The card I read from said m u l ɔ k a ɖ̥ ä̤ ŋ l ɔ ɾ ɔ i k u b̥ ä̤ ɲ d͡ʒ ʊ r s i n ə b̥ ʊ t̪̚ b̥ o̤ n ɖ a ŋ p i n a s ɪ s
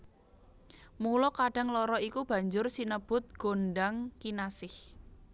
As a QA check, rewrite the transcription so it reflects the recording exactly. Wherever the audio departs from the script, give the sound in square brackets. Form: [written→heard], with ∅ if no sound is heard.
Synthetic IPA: m u l ɔ k a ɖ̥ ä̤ ŋ l ɔ ɾ ɔ i k u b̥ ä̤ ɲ d͡ʒ ʊ r s i n ə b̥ ʊ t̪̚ [b̥→ɡ̥] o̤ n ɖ a ŋ [p→k] i n a s ɪ [s→h]